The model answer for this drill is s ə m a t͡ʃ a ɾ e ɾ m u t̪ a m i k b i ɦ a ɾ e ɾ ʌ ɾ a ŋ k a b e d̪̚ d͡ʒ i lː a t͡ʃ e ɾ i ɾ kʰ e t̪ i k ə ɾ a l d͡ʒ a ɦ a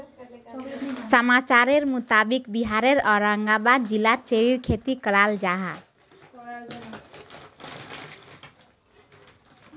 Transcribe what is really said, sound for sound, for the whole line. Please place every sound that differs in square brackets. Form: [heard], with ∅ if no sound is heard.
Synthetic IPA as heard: s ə m a t͡ʃ a ɾ e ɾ m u t̪ a [b] i k b i ɦ a ɾ e ɾ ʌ ɾ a ŋ [ɡ] a b [a] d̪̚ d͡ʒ i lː a t͡ʃ e ɾ i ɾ kʰ e t̪ i k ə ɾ a l d͡ʒ a ɦ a